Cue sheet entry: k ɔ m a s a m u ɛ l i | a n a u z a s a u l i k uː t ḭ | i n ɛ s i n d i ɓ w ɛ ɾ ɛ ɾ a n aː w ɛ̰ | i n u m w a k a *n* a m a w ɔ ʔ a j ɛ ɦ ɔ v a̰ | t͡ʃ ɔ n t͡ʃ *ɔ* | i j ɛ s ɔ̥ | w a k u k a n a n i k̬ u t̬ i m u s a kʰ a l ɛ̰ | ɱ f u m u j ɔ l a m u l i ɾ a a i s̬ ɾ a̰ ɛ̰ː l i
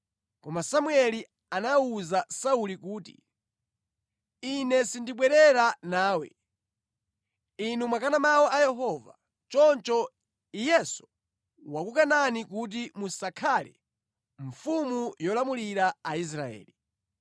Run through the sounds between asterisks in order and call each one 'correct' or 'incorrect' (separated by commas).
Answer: correct, correct